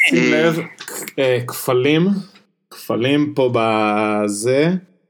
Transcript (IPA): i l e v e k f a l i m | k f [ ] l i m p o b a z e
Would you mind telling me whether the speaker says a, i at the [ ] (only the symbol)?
a